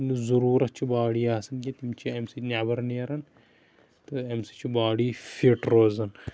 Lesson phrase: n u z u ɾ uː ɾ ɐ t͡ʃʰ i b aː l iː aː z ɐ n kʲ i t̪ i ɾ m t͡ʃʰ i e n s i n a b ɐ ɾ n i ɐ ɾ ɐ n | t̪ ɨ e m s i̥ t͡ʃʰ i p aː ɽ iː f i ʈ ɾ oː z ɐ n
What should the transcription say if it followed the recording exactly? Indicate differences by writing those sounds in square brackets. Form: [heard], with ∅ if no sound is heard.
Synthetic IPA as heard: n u z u ɾ uː ɾ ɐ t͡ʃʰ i b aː [ɽ] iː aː [s] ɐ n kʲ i t̪ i [∅] m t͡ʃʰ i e [m] s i n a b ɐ ɾ n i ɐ ɾ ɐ n | t̪ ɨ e m s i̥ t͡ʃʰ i [b] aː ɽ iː f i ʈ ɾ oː z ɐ n